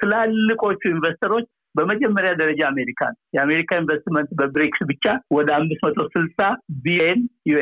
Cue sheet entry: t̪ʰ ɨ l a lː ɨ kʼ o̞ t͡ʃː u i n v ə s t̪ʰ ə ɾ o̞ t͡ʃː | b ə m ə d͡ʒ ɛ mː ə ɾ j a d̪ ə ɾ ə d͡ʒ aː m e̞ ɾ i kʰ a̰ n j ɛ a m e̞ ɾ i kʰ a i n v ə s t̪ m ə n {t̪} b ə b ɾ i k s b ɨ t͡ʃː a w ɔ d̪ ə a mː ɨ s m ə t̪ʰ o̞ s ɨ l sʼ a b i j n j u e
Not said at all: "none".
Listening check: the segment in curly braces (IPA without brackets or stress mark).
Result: t̪